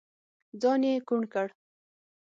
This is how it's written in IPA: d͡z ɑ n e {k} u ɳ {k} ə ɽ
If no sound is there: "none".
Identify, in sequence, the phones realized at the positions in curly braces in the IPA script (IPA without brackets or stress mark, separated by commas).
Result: k, k